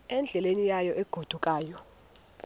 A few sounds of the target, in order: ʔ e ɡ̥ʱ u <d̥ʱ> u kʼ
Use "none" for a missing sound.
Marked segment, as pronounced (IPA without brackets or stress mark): d̥ʱ